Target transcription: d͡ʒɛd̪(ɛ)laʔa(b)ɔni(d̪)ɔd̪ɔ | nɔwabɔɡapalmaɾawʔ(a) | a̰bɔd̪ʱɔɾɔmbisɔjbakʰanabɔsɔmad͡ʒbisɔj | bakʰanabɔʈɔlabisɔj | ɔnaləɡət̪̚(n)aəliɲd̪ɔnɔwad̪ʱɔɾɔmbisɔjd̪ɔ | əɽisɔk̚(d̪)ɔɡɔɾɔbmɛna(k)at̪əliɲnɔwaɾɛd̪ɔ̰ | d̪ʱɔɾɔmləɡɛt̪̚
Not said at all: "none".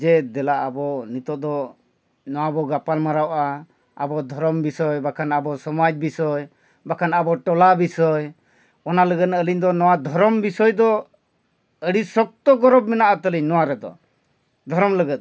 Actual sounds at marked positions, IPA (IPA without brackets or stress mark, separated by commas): ɛ, b, t̪, a, n, t̪, ʔ